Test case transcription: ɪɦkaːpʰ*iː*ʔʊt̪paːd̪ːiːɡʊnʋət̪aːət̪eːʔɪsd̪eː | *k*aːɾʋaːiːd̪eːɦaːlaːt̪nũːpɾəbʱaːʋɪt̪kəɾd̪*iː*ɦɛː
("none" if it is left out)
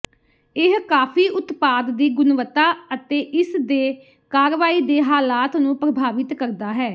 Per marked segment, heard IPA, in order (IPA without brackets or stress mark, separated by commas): iː, k, aː